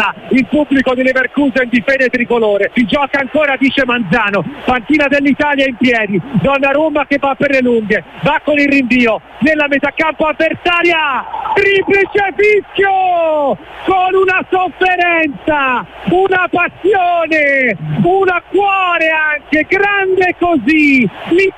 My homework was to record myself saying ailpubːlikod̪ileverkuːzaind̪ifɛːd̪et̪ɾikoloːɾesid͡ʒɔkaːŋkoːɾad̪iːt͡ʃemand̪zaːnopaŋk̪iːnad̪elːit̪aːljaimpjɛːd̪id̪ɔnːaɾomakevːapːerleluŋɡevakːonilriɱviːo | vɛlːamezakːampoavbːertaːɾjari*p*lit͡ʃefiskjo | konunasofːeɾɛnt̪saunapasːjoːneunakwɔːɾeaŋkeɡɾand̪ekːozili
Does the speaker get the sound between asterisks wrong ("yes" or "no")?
no